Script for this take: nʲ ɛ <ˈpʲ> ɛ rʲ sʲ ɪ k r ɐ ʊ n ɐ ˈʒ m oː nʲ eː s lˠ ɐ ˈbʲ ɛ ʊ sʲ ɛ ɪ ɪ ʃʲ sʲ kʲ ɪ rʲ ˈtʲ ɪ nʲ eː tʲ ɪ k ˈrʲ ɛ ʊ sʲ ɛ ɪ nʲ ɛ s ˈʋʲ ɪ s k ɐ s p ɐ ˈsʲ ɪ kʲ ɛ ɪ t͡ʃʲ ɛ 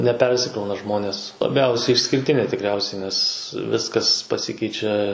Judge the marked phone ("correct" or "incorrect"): correct